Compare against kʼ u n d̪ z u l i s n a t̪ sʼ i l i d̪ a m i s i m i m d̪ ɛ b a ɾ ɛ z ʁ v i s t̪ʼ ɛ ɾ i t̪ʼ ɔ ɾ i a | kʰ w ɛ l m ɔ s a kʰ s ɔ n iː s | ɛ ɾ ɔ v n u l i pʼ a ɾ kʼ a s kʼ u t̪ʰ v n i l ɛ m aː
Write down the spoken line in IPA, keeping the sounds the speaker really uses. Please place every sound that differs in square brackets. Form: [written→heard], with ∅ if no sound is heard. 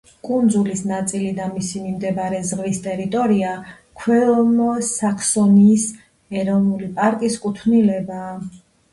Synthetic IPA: kʼ u n d̪ z u l i s n a t̪ sʼ i l i d̪ a m i s i m i m d̪ ɛ b a ɾ ɛ z ʁ v i s t̪ʼ ɛ ɾ i t̪ʼ ɔ ɾ i a | kʰ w ɛ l m ɔ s a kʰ s ɔ n iː s | ɛ ɾ ɔ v n u l i pʼ a ɾ kʼ [a→i] s kʼ u t̪ʰ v n i l ɛ [m→b] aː